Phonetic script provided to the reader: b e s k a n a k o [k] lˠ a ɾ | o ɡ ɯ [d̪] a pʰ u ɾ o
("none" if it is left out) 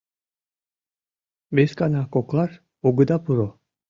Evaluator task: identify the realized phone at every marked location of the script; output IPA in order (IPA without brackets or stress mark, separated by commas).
k, d̪